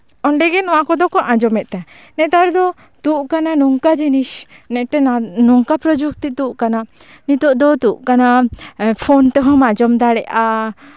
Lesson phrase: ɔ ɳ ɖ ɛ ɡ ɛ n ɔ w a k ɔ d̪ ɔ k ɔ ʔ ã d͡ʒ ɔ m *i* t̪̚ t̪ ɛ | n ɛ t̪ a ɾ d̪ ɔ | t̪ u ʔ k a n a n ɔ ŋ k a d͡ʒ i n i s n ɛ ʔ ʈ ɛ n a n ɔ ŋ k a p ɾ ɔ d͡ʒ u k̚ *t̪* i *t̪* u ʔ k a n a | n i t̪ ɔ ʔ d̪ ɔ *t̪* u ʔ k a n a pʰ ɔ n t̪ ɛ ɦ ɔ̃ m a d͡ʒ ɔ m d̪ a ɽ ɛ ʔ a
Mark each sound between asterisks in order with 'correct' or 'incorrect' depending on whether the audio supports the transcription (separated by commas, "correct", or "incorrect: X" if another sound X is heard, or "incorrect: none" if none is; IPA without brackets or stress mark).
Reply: incorrect: ɛ, correct, correct, correct